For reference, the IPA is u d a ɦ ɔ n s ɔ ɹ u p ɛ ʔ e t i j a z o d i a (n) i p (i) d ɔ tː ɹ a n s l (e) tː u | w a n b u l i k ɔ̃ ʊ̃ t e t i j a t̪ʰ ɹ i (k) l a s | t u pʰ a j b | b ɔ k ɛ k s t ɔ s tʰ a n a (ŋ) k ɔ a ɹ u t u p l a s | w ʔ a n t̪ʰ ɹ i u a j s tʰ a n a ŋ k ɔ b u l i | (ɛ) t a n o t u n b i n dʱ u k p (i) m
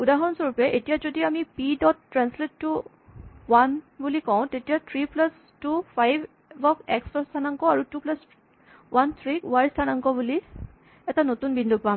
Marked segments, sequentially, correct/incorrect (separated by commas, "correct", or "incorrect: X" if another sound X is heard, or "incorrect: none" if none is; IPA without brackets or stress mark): incorrect: m, correct, correct, incorrect: p, correct, correct, incorrect: a